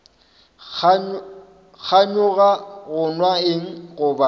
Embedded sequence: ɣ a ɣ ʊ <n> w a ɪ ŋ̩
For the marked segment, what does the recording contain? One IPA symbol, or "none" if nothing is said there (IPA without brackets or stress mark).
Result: n